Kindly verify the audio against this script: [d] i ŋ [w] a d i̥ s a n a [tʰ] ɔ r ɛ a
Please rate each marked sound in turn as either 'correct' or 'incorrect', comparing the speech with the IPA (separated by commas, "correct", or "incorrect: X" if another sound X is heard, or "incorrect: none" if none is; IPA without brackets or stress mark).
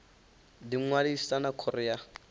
correct, correct, incorrect: kʰ